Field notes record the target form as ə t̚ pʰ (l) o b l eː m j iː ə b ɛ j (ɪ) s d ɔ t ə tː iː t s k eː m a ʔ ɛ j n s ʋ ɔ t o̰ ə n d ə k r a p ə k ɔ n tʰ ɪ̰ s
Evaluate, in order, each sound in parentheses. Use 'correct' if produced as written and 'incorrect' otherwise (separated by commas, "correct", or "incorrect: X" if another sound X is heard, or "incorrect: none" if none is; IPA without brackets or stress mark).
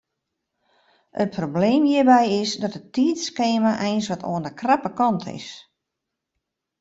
incorrect: r, correct